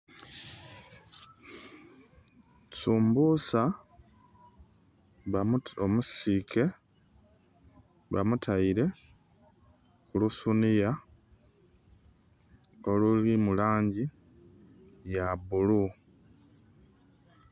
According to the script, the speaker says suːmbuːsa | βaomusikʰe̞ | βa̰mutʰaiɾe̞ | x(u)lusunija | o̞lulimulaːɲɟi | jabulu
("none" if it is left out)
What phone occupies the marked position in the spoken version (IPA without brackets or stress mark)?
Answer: u